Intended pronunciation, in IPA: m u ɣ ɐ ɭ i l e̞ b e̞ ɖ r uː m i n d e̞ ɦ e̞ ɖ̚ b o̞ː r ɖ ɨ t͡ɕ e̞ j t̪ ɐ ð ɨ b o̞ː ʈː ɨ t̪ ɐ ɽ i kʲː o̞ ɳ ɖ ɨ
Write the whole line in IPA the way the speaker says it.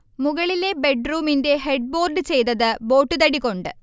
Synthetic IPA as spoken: m u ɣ ɐ ɭ i l e̞ b e̞ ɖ r uː m i n d e̞ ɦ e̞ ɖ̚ b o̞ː r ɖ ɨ t͡ɕ e̞ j t̪ ɐ ð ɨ b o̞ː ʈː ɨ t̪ ɐ ɽ i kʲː o̞ ɳ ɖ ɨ